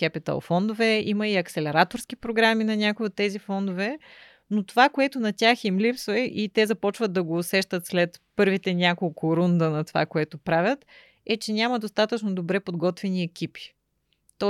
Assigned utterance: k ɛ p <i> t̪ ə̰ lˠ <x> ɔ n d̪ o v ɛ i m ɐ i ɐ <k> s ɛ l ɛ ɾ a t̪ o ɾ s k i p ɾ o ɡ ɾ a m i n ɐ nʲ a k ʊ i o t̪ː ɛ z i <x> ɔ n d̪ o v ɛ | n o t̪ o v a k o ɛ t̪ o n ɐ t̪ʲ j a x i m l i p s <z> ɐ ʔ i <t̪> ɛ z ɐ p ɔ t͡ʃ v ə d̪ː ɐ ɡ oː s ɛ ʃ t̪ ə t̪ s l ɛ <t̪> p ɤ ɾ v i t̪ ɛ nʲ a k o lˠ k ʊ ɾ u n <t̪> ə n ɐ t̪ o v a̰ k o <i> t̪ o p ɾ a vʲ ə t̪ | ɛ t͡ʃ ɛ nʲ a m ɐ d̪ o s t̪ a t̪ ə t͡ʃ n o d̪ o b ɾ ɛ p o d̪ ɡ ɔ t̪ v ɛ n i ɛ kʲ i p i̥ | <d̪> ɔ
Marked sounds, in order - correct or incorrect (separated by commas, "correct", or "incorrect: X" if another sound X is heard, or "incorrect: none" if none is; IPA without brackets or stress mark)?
correct, incorrect: f, correct, incorrect: f, incorrect: v, correct, correct, incorrect: d̪, incorrect: ɛ, incorrect: t̪